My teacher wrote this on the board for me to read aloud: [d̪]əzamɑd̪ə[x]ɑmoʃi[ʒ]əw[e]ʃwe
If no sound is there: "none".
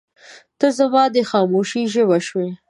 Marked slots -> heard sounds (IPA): t̪, x, ʒ, a

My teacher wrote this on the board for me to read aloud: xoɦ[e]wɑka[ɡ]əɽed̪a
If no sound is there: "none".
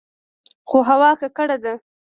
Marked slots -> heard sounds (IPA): a, k

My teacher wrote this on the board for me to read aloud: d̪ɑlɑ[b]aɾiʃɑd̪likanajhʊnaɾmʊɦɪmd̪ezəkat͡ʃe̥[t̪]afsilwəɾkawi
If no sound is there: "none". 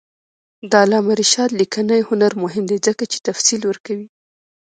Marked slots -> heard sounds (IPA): m, t̪

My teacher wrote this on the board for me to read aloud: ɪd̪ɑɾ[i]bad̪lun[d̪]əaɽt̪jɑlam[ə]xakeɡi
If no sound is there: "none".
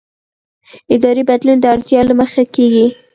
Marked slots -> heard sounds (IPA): i, d̪, ə

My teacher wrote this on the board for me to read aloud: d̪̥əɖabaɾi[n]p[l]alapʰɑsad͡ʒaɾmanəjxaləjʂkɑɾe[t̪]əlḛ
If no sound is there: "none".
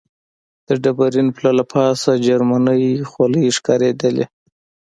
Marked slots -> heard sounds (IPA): n, l, d̪

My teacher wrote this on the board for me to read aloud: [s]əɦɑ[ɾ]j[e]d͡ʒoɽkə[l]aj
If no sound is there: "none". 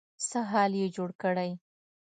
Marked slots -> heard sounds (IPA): s, l, e, ɽ

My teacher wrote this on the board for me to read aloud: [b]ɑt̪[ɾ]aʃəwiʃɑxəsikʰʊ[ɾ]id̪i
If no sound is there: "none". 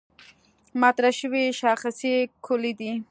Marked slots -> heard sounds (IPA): m, ɾ, l

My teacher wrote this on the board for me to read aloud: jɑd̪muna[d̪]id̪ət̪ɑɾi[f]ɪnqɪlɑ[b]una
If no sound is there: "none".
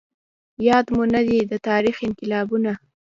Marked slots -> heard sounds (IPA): d̪, x, b

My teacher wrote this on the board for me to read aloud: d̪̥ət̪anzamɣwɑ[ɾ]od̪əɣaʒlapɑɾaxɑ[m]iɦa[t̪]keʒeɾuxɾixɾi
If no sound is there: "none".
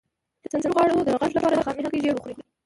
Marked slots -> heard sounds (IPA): ɽ, m, none

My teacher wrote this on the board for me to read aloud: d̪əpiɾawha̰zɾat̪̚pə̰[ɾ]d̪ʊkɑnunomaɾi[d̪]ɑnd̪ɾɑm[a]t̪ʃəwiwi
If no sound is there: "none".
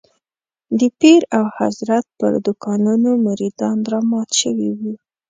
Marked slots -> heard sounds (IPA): ɾ, d̪, ɑ

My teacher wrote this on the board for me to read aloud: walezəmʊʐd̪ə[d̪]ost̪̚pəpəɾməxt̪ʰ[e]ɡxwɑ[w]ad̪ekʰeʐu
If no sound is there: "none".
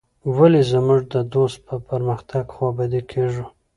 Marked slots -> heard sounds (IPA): d̪, a, b

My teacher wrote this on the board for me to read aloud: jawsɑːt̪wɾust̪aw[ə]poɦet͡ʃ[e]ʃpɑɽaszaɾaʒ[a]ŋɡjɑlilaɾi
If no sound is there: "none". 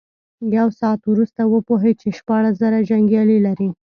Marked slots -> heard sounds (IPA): ə, e, a

